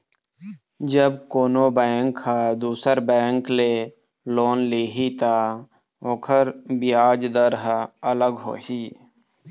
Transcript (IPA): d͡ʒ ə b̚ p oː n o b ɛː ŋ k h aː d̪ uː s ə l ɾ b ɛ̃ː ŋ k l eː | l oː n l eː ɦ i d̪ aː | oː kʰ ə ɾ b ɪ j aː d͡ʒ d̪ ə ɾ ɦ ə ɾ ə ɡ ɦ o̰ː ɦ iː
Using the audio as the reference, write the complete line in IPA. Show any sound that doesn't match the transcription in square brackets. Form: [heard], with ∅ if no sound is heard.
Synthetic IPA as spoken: d͡ʒ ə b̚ [k] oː n o b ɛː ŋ k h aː d̪ uː s ə [∅] ɾ b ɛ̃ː ŋ k l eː | l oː n l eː ɦ i [t̪] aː | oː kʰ ə ɾ b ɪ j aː d͡ʒ d̪ ə ɾ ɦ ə [l] ə ɡ ɦ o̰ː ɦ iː